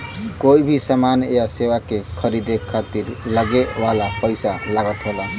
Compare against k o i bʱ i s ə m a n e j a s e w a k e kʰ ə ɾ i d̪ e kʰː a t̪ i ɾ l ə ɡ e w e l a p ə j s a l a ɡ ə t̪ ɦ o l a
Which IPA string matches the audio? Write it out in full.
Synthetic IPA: k o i bʱ i s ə m a n e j a s e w a k e kʰ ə ɾ i d̪ e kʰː a t̪ i ɾ l ə ɡ e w a l a p ə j s a l a ɡ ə t̪ ɦ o l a